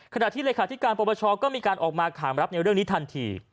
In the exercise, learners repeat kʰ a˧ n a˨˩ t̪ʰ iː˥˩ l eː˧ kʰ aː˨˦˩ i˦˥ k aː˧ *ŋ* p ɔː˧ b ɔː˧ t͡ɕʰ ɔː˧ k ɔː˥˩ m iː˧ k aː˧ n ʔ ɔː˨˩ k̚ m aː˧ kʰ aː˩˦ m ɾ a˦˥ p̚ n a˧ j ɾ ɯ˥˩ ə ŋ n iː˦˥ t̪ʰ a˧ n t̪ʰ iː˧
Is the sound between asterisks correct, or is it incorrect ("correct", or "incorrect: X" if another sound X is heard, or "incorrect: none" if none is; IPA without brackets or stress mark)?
incorrect: n